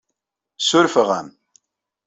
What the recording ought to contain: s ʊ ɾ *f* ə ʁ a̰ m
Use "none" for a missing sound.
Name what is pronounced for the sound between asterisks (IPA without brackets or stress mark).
f